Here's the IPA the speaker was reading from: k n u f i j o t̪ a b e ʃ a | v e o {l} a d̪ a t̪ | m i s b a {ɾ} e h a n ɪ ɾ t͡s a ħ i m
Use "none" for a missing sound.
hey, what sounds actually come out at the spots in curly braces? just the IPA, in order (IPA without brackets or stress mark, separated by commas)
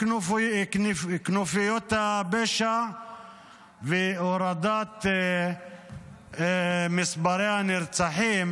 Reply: ɾ, ɾ